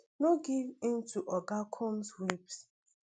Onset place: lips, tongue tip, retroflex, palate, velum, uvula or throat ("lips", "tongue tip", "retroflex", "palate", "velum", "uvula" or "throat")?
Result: tongue tip